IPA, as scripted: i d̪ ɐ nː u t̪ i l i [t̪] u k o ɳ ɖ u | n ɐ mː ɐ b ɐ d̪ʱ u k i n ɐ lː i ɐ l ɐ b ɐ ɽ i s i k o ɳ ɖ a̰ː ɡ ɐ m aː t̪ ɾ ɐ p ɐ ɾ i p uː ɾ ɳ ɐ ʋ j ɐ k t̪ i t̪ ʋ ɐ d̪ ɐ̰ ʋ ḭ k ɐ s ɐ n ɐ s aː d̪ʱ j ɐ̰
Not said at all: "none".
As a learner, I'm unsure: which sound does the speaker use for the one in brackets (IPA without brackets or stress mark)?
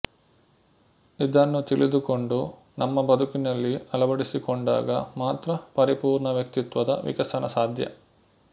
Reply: d̪